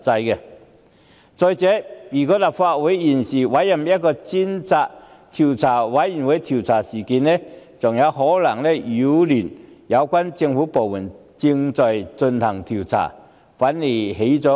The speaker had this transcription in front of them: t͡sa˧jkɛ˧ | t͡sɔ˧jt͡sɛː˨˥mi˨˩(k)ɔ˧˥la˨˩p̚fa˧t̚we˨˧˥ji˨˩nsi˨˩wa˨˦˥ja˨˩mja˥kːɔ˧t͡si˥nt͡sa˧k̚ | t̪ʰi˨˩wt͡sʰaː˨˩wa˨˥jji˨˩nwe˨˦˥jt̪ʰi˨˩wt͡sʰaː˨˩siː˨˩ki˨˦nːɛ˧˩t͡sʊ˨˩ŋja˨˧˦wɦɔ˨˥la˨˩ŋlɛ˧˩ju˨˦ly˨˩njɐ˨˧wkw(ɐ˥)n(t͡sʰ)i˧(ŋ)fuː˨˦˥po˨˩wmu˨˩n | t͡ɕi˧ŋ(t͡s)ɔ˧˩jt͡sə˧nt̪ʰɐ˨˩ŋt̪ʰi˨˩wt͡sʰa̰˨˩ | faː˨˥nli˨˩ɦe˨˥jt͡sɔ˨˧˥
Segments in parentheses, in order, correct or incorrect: correct, incorrect: a˥, incorrect: t͡s, correct, correct

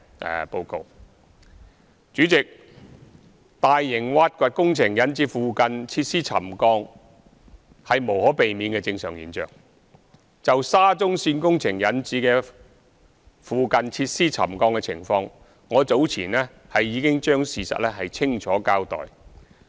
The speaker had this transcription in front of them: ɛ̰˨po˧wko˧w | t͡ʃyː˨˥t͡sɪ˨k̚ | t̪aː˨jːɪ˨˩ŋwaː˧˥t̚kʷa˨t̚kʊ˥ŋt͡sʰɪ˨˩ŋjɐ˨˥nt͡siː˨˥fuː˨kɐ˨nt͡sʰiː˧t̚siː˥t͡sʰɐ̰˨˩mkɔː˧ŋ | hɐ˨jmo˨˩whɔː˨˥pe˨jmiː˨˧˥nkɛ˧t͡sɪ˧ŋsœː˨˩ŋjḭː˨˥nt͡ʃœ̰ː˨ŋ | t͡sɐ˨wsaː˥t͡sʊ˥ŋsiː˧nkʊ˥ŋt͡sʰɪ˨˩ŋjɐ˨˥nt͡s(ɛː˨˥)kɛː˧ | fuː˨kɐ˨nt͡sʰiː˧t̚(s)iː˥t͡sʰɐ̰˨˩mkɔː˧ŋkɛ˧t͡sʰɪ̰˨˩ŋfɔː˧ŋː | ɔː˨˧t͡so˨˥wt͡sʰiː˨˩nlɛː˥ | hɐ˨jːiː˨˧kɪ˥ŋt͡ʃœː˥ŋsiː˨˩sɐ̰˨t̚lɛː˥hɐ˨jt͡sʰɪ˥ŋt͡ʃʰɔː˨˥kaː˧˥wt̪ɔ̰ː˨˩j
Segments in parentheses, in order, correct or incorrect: incorrect: iː˨˥, correct

